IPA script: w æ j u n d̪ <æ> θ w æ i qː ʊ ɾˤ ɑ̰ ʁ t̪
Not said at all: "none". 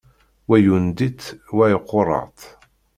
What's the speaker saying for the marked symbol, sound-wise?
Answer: i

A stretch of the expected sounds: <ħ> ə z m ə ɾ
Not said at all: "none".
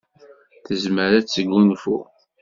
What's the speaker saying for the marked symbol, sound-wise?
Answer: θ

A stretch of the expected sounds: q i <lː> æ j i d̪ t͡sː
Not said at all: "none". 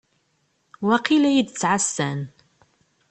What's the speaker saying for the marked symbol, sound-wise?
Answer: l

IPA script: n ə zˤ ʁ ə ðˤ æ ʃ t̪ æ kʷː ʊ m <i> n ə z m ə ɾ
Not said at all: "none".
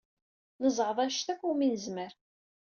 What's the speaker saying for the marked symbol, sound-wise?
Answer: i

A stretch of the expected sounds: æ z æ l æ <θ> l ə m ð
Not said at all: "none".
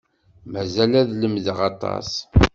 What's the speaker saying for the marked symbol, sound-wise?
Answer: ð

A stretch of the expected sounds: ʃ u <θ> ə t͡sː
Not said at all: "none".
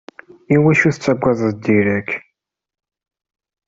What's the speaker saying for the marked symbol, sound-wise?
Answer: θ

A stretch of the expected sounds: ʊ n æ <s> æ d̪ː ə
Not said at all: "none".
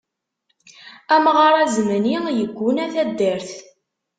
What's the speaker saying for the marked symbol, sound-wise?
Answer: θ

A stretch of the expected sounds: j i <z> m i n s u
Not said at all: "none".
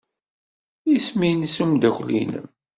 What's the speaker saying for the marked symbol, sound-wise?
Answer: s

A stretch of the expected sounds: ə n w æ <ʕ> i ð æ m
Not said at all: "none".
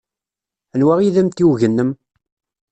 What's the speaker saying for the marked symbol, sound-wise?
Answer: ʁ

